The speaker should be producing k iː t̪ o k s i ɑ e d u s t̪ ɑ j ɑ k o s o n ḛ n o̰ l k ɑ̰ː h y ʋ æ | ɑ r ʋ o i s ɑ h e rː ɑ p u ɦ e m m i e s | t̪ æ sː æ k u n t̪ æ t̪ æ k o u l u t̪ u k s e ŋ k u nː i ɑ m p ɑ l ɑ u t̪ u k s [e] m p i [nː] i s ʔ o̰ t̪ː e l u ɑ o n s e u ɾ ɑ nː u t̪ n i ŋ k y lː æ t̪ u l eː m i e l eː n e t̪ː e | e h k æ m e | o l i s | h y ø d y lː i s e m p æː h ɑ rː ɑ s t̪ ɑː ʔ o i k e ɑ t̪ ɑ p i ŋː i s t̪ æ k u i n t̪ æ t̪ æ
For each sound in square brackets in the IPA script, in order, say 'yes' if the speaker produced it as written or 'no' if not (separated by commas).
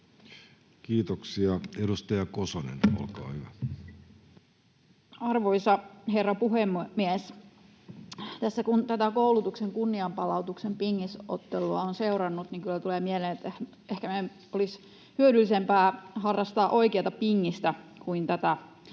yes, no